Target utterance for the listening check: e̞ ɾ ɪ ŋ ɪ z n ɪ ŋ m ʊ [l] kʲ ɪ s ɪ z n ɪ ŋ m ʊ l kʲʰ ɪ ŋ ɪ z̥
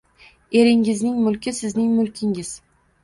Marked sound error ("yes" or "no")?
no